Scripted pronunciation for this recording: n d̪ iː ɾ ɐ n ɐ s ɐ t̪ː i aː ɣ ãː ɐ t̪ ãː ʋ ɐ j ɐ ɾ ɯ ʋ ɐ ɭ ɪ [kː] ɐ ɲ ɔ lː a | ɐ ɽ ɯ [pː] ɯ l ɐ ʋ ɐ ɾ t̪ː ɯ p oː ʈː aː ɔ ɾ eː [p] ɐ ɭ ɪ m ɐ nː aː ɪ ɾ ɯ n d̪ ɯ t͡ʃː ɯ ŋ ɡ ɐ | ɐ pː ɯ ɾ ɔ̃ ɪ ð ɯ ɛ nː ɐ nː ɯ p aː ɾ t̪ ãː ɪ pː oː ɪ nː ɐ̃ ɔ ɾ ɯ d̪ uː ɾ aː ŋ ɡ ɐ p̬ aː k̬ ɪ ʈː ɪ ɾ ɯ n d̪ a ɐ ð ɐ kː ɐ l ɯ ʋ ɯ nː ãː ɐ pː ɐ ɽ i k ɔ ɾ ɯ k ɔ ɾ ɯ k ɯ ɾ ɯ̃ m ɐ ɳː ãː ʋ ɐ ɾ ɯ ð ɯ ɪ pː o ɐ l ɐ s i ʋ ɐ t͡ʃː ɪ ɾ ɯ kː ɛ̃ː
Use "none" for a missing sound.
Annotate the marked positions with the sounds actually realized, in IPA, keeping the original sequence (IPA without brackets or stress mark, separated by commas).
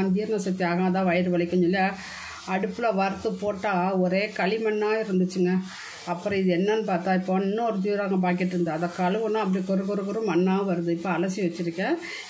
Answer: kː, pː, k